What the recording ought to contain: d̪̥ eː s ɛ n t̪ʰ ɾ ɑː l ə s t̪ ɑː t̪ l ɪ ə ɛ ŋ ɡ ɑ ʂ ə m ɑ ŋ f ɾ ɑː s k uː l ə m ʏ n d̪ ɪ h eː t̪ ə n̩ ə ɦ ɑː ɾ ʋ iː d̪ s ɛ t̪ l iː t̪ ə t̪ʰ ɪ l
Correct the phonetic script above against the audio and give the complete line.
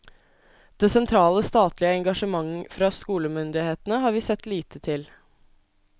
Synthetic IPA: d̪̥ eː s ɛ n t̪ʰ ɾ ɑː l ə s t̪ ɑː t̪ l ɪ ə ɛ ŋ ɡ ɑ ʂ ə m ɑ ŋ f ɾ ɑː s k uː l ə m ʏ n d̪ ɪ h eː t̪ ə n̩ ə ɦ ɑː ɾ ʋ iː s ɛ t̪ l iː t̪ ə t̪ʰ ɪ l